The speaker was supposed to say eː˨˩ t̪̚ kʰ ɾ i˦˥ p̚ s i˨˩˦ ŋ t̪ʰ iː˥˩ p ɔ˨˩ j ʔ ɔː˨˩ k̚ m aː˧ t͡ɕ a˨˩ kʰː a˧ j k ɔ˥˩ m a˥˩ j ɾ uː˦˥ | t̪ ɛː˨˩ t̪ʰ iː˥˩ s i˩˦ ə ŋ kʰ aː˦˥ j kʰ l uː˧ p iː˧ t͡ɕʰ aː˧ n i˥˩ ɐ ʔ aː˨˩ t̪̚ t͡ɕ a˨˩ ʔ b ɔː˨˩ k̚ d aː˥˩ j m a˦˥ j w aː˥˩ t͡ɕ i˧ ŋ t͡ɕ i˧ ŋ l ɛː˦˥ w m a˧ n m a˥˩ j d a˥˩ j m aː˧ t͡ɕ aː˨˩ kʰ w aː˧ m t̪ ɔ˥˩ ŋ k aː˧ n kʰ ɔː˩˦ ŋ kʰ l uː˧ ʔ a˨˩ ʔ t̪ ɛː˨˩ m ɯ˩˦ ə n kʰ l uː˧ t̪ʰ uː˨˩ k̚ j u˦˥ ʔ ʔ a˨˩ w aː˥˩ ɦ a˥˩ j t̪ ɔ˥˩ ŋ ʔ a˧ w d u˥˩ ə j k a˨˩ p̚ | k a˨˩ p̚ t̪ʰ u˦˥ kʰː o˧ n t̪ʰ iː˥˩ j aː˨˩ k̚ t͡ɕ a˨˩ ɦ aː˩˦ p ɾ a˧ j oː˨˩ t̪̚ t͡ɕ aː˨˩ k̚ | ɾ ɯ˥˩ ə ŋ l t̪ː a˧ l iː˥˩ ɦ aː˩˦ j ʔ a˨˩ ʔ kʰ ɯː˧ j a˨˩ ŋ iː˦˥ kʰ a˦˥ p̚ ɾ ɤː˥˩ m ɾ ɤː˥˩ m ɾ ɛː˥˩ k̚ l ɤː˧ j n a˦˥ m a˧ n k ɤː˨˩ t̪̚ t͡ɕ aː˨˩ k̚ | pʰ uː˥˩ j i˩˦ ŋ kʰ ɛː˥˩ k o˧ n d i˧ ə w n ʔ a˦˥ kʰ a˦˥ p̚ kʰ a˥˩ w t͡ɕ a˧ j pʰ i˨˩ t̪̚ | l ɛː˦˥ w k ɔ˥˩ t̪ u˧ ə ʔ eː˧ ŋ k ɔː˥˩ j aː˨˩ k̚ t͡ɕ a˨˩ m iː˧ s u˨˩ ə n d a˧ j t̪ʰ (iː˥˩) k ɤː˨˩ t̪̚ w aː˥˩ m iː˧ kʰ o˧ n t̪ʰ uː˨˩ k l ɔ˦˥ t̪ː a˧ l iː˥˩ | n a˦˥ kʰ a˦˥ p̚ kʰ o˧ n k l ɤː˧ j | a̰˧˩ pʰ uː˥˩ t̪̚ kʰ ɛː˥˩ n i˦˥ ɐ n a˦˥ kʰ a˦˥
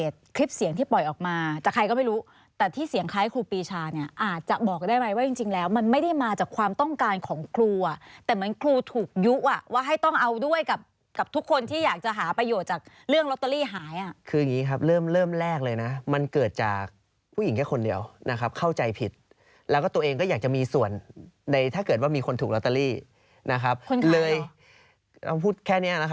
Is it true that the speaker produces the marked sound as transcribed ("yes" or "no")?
no